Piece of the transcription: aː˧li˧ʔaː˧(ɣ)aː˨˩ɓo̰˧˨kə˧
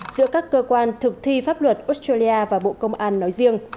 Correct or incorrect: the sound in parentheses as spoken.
incorrect: v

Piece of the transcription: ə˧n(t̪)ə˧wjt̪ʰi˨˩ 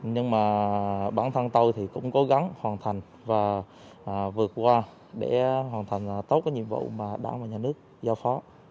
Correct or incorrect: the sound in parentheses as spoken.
correct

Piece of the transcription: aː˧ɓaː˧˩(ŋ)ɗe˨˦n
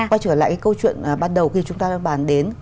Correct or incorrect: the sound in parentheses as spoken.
incorrect: n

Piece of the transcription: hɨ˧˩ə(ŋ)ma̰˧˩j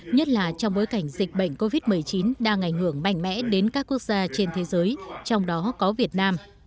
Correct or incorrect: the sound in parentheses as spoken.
correct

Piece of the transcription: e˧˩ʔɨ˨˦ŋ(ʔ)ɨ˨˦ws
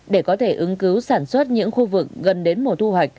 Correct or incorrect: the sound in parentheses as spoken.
incorrect: k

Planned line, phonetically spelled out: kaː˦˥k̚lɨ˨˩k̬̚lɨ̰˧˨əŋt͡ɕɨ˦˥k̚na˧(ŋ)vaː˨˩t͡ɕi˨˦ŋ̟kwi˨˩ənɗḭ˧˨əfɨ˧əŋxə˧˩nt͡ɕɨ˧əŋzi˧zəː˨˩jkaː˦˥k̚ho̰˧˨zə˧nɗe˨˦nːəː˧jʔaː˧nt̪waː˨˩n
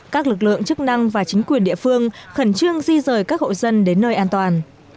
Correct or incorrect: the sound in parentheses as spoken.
correct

